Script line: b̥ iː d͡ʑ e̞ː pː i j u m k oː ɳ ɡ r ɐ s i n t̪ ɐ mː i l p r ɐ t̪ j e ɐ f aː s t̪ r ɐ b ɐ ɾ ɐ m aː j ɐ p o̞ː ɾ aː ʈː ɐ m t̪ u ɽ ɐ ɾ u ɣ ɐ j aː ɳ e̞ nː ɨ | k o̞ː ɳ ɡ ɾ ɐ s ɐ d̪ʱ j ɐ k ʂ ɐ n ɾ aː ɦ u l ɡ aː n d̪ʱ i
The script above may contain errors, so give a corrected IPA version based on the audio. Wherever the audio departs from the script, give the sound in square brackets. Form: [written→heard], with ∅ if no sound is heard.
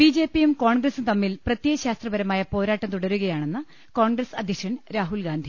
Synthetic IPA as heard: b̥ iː d͡ʑ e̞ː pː i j u m k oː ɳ ɡ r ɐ s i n t̪ ɐ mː i l p r ɐ t̪ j e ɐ [f→ɕ] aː s t̪ r ɐ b ɐ ɾ ɐ m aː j ɐ p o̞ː ɾ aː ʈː ɐ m t̪ u ɽ ɐ ɾ u ɣ ɐ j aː ɳ e̞ nː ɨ | k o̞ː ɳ ɡ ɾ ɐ s ɐ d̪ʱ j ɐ k ʂ ɐ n ɾ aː ɦ u l ɡ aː n d̪ʱ i